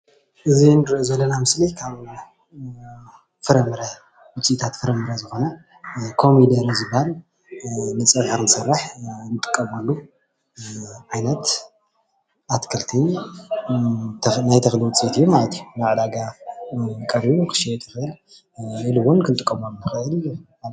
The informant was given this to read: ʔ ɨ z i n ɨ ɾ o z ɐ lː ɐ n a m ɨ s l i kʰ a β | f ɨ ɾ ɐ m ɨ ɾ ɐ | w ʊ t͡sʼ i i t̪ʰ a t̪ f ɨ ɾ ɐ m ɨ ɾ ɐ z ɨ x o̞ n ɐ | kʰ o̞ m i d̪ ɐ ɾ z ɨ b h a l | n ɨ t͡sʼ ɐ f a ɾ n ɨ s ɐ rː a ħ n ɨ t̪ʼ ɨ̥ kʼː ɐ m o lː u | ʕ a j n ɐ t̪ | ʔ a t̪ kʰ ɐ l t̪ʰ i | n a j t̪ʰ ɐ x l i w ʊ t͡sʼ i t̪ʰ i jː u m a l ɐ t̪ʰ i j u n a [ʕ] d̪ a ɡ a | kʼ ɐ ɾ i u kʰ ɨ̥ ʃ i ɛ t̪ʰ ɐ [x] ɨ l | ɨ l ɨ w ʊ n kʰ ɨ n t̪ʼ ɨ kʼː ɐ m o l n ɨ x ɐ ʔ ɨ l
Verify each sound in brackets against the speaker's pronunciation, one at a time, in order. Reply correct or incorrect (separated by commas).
correct, correct